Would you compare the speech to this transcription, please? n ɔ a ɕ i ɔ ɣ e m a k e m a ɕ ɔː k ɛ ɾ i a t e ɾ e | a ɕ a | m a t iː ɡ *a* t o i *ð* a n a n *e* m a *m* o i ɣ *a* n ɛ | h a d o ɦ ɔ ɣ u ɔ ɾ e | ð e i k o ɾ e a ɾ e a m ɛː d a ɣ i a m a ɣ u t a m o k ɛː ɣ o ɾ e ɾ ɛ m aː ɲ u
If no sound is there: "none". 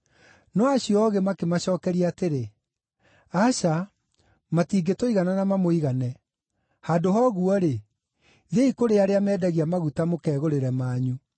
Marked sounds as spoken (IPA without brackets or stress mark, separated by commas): e, ɣ, a, m, a